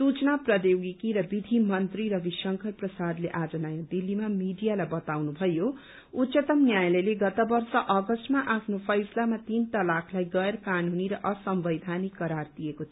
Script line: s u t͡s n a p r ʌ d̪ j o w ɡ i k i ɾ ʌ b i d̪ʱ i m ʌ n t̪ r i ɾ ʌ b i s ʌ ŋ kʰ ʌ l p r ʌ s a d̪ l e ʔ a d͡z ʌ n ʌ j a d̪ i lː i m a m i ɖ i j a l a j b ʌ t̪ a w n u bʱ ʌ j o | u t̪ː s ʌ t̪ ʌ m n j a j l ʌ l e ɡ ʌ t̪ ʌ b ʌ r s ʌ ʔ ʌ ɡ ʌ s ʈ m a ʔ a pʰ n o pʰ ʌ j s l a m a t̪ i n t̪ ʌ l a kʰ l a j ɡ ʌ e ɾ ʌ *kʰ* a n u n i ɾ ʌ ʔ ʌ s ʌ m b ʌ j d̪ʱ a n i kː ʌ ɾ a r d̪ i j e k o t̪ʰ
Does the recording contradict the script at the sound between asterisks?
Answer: yes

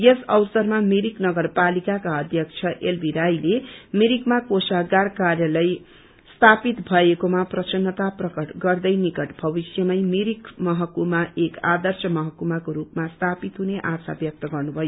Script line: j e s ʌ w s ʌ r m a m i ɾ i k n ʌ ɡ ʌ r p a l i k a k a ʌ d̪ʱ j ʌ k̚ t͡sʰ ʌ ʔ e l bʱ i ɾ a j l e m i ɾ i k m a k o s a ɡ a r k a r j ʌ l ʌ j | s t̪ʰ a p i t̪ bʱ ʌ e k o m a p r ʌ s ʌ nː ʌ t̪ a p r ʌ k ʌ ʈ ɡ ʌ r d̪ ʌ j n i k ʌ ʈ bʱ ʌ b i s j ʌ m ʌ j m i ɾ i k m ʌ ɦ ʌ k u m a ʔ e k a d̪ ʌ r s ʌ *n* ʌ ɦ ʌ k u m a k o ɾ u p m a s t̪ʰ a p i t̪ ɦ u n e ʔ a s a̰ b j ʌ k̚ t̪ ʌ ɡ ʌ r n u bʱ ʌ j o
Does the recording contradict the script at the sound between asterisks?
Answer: yes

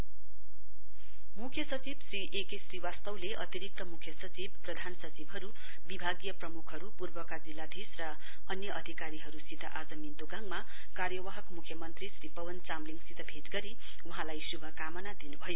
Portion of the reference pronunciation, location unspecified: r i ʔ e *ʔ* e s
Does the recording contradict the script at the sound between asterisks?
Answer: yes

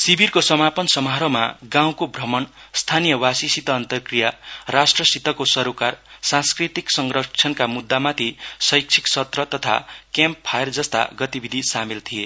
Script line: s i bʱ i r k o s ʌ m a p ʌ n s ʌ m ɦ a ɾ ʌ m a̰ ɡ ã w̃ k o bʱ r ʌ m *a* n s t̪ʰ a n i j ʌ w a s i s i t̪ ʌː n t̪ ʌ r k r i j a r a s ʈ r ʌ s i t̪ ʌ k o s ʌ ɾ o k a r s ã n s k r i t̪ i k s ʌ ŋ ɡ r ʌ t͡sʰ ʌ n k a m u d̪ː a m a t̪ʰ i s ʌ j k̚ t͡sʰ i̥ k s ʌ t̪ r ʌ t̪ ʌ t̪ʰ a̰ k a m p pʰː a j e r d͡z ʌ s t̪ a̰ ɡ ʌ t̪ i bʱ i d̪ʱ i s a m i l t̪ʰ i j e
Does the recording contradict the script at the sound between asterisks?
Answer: yes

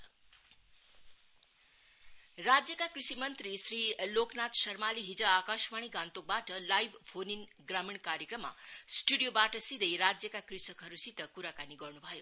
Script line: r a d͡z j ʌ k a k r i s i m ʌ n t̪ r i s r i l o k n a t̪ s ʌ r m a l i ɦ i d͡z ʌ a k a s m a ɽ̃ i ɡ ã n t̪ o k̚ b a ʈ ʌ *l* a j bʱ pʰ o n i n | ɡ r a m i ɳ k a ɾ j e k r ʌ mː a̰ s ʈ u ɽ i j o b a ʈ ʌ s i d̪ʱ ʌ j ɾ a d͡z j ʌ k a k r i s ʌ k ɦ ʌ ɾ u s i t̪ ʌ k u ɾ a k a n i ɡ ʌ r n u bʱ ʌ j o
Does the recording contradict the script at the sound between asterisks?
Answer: no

